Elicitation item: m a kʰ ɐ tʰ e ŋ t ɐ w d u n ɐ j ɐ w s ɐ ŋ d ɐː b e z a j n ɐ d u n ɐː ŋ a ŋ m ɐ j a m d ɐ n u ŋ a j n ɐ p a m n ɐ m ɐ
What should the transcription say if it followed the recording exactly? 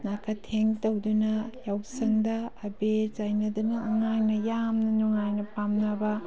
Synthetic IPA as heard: n a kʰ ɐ tʰ e ŋ t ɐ w d u n ɐ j a w s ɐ ŋ d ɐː b e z a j n ɐ d u n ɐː ŋ a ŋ n ɐ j a m n ɐ n u ŋ a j n ɐ p a m n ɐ b ɐ

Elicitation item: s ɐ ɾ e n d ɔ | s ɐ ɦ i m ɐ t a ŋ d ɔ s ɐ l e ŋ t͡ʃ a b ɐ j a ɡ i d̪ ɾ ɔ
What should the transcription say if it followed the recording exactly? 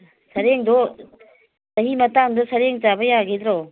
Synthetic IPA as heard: s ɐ ɾ e ŋ d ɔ | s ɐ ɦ i m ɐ t a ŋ d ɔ s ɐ ɾ e ŋ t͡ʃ a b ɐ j a ɡ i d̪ ɾ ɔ

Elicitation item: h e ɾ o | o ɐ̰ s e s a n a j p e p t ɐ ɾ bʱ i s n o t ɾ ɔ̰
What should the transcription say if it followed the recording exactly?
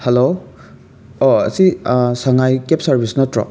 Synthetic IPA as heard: h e l o | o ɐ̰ s i s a ŋ a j k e p s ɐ ɾ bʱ i s n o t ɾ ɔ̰

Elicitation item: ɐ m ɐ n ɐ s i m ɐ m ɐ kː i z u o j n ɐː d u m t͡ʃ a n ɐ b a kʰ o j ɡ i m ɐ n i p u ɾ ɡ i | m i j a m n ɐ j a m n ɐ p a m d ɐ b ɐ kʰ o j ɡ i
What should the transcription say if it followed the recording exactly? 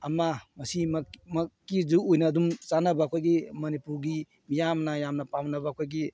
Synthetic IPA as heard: ɐ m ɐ m ɐ s i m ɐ m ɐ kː i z u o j n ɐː d u m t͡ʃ a n ɐ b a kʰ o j ɡ i m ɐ n i p u ɾ ɡ i | m i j a m n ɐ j a m n ɐ p a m n ɐ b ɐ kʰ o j ɡ i

